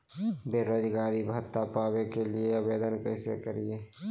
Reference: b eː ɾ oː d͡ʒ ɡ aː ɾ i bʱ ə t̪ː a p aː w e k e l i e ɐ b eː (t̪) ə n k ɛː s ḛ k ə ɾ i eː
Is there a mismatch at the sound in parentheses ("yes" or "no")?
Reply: yes